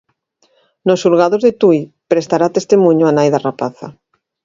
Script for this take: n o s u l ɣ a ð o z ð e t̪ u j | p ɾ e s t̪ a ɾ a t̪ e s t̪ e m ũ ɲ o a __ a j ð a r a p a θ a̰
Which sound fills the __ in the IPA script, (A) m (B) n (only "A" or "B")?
B